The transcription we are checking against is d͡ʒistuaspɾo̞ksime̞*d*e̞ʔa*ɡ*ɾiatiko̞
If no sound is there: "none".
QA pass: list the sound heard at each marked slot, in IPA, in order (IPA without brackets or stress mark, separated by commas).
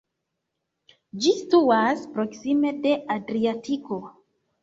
d, d